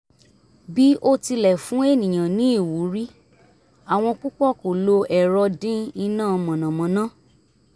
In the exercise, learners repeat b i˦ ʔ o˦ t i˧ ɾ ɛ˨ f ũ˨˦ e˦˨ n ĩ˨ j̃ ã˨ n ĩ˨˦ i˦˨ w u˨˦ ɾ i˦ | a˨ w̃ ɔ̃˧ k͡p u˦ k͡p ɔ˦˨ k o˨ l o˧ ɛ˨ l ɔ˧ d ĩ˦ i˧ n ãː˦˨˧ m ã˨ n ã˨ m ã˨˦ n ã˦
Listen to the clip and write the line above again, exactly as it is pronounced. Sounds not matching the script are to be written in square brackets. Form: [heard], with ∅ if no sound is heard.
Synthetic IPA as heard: b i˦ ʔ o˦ t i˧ [l] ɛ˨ f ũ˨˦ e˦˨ n ĩ˨ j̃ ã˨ n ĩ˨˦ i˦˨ w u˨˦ ɾ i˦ | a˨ w̃ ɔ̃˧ k͡p u˦ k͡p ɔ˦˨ k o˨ l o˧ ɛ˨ [ɾ] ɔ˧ d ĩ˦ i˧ n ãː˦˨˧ m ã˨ n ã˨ m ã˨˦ n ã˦